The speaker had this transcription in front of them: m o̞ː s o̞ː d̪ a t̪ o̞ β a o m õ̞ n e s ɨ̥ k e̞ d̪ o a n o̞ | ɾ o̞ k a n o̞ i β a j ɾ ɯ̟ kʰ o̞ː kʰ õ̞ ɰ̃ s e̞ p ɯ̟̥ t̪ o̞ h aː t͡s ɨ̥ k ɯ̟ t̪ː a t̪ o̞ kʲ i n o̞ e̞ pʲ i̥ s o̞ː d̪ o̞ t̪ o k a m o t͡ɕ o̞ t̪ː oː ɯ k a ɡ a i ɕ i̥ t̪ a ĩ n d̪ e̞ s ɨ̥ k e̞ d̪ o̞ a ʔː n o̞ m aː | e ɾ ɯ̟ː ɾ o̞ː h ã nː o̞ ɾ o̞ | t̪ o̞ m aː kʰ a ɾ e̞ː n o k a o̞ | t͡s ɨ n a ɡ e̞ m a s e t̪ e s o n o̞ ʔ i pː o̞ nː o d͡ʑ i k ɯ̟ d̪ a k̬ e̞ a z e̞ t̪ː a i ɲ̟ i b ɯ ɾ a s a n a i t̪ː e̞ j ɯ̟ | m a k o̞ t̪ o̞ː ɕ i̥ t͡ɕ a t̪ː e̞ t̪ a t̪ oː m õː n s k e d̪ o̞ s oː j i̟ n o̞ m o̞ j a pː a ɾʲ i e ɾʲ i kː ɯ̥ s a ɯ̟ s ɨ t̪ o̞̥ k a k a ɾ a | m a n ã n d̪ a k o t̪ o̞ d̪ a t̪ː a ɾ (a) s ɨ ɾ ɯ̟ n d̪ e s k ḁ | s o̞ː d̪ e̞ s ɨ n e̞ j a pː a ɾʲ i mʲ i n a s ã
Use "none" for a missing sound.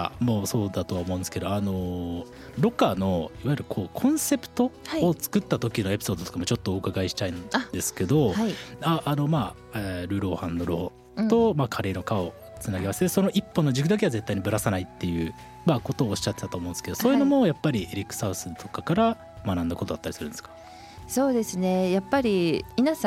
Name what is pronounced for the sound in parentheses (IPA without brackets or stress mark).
i